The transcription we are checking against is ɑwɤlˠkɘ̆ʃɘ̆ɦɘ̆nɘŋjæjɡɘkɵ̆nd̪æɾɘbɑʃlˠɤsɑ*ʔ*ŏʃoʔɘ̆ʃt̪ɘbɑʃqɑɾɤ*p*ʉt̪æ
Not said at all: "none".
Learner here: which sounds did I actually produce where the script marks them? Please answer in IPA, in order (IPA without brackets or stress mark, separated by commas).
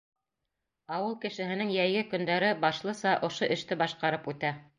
ʔ, p